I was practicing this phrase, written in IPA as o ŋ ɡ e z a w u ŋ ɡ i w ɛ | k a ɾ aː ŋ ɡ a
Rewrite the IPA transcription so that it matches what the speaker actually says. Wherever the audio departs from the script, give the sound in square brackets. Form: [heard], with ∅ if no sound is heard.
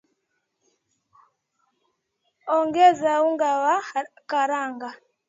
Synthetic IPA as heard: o ŋ ɡ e z a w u ŋ ɡ [a] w [a] | k a ɾ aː ŋ ɡ a